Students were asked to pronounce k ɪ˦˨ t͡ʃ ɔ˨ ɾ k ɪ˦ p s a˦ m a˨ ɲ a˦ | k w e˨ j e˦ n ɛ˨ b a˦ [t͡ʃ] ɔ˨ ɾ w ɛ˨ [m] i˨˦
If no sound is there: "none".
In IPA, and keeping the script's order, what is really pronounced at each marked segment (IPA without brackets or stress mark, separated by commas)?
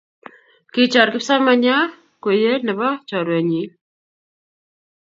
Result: t͡ʃ, ɲ